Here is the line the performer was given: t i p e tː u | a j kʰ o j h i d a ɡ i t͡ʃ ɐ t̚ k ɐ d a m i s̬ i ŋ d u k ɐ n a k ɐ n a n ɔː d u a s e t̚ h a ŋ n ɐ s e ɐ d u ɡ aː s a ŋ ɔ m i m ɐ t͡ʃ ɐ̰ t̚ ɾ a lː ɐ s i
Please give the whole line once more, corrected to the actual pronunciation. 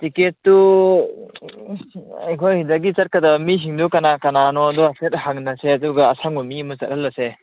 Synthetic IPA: t i k e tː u | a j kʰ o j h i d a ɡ i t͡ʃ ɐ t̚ k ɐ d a m i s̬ i ŋ d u k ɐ n a k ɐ n a n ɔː d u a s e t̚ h a ŋ n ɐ s e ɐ d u ɡ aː s a ŋ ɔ m i m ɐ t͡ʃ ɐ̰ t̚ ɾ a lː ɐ s e